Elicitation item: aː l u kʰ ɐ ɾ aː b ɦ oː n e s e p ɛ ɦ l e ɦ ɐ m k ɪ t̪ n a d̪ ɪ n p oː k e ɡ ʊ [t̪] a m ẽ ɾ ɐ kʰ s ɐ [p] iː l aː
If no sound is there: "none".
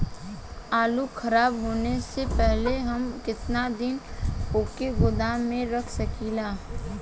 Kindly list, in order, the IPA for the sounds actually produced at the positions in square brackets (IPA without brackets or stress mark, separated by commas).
d̪, k